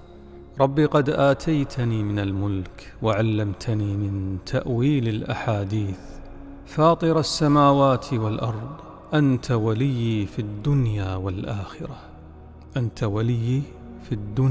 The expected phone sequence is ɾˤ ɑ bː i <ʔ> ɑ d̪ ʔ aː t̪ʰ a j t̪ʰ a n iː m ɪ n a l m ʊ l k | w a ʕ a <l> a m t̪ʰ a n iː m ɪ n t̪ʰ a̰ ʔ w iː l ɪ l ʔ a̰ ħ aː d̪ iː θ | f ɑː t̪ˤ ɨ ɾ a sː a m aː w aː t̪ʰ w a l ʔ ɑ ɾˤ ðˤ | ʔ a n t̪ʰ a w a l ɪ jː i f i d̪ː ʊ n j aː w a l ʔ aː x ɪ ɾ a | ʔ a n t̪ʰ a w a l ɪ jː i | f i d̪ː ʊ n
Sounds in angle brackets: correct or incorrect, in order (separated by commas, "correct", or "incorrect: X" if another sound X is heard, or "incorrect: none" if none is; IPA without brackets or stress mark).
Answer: incorrect: q, incorrect: lː